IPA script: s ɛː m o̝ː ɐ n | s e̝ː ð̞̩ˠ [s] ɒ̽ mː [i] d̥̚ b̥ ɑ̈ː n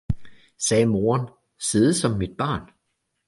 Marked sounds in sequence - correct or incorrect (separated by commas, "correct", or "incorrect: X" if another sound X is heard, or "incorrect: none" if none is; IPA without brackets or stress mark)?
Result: correct, correct